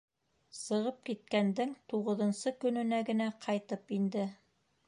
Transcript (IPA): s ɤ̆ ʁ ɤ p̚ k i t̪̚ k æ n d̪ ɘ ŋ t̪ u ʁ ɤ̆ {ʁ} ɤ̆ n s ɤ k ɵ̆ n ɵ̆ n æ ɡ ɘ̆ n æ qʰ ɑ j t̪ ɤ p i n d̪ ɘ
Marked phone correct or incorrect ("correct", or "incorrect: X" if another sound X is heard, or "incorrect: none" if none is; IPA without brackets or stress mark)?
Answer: incorrect: ð